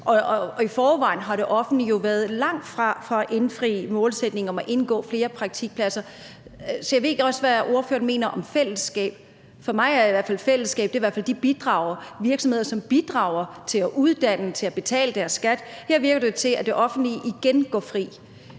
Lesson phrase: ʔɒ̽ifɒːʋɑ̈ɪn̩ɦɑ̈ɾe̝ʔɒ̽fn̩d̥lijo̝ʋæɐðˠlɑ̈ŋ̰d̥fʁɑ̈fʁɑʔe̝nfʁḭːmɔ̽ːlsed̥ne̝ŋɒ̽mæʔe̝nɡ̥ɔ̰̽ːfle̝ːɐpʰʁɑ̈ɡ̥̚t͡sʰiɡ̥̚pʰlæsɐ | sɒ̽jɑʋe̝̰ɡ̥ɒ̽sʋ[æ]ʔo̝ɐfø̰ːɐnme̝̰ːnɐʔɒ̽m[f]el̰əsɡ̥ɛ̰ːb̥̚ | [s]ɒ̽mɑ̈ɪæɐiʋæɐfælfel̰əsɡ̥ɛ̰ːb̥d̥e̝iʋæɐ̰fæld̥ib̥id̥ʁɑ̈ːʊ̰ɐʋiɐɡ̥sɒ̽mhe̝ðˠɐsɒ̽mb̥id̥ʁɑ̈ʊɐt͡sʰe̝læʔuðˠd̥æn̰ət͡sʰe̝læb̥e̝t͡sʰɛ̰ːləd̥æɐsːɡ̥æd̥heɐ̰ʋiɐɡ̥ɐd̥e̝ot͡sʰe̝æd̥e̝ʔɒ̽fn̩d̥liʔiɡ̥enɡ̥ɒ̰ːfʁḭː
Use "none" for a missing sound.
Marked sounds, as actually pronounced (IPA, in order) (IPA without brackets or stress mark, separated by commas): æ, f, f